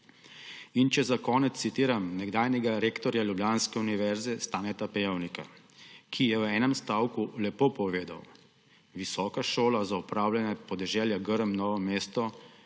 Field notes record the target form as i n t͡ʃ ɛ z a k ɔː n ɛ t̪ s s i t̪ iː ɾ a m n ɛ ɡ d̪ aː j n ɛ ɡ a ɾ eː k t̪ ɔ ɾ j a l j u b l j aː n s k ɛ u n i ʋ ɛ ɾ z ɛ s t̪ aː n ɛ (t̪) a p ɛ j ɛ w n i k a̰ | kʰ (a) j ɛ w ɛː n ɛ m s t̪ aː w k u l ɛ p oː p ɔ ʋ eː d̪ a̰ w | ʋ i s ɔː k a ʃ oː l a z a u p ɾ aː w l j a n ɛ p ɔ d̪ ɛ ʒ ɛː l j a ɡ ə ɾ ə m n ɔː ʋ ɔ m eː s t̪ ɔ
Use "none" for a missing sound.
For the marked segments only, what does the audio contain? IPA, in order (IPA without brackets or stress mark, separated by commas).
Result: t̪, i